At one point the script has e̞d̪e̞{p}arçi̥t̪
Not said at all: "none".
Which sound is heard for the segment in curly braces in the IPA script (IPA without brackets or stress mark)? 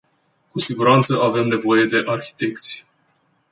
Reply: ʔ